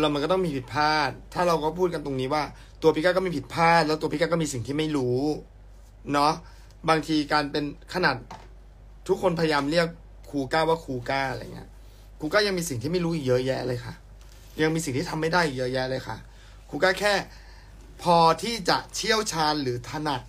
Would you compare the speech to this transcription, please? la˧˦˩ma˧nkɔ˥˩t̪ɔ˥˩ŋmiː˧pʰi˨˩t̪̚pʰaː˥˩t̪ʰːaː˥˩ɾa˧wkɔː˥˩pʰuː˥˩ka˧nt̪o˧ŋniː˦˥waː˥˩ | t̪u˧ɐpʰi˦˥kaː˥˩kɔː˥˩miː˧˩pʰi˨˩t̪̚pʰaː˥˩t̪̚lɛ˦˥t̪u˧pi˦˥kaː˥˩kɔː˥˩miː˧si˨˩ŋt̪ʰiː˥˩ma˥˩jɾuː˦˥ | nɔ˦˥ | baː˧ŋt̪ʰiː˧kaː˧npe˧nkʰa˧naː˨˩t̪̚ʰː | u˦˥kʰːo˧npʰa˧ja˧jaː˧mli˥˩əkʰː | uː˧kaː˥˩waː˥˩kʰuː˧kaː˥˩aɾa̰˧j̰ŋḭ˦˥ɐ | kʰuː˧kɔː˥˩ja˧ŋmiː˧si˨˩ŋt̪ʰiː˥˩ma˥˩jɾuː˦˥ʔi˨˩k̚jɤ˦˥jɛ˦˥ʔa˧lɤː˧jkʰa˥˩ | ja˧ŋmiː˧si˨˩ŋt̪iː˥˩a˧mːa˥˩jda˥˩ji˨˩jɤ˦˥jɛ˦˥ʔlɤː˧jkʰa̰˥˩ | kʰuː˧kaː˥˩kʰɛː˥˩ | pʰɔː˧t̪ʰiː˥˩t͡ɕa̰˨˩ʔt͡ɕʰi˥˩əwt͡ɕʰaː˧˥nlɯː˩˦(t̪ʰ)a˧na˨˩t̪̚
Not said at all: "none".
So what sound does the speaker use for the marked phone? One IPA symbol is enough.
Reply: t̪ʰ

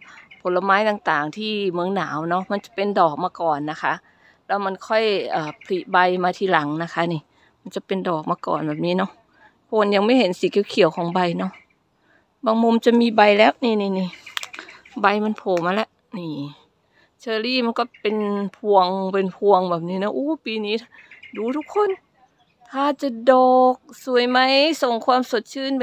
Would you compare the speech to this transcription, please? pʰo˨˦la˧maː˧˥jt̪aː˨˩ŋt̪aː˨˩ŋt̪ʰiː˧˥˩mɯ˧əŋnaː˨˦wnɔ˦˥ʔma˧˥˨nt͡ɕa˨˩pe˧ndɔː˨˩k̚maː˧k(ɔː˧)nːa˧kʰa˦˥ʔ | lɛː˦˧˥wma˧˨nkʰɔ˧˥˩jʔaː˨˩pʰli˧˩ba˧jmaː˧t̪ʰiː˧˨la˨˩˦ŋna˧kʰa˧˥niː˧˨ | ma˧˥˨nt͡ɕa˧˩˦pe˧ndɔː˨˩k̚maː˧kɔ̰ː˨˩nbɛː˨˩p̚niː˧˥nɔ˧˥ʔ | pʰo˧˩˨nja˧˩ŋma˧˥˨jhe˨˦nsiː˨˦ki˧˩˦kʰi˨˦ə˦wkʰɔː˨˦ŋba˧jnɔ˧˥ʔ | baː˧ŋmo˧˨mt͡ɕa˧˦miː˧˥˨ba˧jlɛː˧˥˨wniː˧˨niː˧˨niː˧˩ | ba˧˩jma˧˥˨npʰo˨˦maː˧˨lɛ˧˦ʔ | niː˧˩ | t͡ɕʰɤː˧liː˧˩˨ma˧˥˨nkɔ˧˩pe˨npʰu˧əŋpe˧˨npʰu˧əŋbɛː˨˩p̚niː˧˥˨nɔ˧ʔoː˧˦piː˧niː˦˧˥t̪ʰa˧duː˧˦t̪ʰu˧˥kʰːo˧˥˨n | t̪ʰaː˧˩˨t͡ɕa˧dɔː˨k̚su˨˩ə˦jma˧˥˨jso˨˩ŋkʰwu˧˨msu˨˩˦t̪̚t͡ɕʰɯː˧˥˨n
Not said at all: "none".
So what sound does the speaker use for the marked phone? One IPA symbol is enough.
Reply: ɔː˨˩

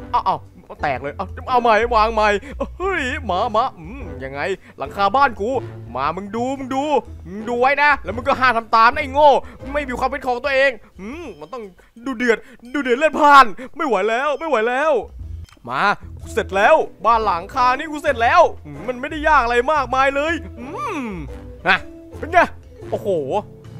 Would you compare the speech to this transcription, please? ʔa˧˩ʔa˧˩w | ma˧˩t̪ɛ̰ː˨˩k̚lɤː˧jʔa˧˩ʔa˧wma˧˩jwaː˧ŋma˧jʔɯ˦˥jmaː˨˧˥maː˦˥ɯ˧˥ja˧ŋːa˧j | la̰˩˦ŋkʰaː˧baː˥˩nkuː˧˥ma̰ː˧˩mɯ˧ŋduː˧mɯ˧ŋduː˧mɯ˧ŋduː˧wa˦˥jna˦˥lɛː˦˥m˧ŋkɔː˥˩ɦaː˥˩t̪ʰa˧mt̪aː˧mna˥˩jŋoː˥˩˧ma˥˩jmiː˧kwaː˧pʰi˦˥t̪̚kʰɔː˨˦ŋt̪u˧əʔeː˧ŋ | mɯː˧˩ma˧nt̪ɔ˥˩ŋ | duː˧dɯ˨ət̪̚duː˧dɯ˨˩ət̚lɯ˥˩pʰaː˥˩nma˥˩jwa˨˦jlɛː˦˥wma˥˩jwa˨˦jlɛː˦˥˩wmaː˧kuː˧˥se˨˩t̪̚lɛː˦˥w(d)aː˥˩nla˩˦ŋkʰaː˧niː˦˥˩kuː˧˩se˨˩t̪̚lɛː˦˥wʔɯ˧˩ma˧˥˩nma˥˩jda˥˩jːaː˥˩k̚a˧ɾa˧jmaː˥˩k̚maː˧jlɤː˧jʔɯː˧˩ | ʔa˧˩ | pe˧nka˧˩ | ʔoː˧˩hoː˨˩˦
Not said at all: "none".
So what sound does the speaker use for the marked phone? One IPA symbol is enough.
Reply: b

